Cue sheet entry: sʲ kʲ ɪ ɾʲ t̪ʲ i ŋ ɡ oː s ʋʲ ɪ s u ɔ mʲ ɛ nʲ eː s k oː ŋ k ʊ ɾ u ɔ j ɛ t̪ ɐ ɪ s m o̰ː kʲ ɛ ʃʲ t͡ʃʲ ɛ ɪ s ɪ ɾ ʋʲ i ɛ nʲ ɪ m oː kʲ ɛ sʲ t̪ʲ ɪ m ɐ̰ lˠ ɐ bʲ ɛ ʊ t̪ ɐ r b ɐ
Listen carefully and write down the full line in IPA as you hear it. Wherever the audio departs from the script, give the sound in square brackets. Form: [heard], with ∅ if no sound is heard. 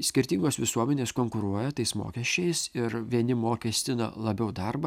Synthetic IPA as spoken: sʲ kʲ ɪ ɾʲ t̪ʲ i ŋ ɡ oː s ʋʲ ɪ s u ɔ mʲ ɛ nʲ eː s k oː ŋ k ʊ ɾ u ɔ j ɛ t̪ ɐ ɪ s m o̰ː kʲ ɛ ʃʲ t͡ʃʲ ɛ ɪ s ɪ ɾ ʋʲ i ɛ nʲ ɪ m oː kʲ ɛ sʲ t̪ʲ ɪ [n] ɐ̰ lˠ ɐ bʲ ɛ ʊ [d̪] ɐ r b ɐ